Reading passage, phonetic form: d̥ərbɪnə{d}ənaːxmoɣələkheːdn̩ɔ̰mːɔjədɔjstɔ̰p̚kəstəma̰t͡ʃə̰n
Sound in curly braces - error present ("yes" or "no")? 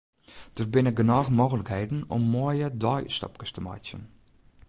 yes